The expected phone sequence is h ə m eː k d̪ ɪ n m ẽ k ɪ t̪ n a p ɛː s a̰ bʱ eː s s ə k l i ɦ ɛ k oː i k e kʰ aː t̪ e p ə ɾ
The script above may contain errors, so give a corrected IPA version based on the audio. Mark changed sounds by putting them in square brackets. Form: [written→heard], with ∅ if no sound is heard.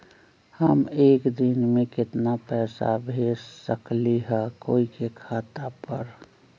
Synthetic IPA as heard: h ə m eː k d̪ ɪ n m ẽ k ɪ t̪ n a p ɛː s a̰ bʱ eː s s ə k l i ɦ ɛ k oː i k e kʰ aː t̪ [e→a] p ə ɾ